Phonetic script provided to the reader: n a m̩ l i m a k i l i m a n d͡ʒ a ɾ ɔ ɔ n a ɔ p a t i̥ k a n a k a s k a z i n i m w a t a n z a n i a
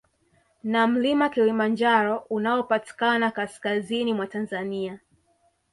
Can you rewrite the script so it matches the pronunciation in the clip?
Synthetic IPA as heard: n a m̩ l i m a k i l i m a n d͡ʒ a ɾ ɔ u n a ɔ p a t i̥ k a n a k a s k a z i n i m w a t a n z a n i a